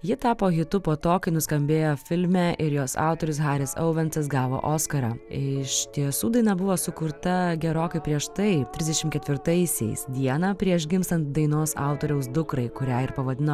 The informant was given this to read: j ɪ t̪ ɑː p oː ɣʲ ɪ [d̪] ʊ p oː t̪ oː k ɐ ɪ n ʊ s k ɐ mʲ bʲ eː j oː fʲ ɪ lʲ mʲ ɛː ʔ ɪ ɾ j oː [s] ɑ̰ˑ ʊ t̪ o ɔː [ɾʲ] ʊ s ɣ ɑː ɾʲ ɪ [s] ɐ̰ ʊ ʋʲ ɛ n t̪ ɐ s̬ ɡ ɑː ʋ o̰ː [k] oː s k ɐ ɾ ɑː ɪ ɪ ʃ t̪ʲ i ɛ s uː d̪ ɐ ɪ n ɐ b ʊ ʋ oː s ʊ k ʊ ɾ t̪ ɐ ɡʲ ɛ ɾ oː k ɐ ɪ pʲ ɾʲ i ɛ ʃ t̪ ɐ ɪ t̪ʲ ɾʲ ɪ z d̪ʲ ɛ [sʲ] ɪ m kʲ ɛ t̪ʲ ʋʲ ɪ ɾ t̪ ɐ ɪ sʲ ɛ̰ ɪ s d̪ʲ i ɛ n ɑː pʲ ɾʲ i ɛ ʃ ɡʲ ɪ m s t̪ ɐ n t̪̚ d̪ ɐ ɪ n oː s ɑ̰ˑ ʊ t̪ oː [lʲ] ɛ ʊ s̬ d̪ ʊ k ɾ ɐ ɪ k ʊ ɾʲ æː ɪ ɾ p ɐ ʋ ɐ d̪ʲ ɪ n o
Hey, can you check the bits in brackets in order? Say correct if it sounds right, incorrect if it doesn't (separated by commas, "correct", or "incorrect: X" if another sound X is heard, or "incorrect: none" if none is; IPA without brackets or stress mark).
incorrect: t̪, correct, correct, correct, incorrect: ʔ, incorrect: ʃʲ, incorrect: ɾʲ